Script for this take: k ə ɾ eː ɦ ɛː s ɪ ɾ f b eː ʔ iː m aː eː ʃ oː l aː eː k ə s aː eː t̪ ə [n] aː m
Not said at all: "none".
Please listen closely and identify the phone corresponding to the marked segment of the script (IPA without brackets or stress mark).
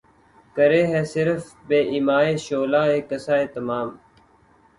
m